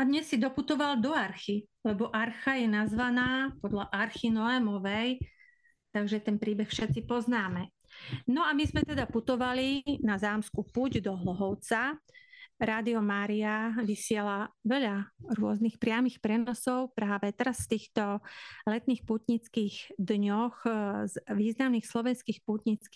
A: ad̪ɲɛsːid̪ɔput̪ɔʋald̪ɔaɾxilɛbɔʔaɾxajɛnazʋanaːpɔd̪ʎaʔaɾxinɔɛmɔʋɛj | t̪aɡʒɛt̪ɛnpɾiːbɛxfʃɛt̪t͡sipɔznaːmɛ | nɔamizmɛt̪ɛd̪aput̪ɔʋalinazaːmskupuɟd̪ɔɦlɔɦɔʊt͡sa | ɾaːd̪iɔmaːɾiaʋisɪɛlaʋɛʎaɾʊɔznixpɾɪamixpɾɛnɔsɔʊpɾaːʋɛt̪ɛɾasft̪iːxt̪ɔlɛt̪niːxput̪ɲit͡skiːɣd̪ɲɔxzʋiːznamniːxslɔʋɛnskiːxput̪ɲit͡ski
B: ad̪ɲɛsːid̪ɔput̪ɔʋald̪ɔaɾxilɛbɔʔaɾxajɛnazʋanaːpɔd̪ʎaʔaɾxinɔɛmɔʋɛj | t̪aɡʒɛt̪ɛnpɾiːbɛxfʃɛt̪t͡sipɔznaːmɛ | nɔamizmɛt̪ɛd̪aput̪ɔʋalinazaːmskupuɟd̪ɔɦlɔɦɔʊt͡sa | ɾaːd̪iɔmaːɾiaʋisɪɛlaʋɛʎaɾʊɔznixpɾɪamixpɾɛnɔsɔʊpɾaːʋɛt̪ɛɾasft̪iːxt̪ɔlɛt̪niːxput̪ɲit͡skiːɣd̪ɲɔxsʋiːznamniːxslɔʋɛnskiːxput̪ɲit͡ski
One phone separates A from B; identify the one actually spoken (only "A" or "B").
A